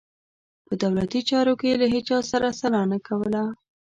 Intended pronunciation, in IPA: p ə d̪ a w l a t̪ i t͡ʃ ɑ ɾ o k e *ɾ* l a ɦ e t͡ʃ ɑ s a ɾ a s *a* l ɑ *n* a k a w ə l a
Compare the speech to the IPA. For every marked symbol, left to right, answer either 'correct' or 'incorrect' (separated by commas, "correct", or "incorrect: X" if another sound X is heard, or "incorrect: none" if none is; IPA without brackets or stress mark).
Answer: incorrect: none, correct, correct